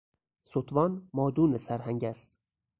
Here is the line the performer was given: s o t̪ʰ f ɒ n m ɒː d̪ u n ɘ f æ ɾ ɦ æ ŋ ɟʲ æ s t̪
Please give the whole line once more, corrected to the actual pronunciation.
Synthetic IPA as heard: s o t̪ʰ v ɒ n m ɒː d̪ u n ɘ s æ ɾ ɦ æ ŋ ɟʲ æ s t̪